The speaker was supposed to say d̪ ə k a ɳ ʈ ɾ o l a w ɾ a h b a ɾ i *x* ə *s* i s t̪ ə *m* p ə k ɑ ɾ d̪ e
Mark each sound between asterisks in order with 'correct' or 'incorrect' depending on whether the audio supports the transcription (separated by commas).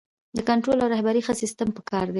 correct, correct, correct